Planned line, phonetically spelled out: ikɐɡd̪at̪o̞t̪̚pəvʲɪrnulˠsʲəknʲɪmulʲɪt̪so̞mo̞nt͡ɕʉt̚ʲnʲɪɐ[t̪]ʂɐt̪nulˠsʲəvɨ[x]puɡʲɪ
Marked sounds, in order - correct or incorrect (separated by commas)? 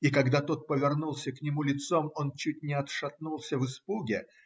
correct, incorrect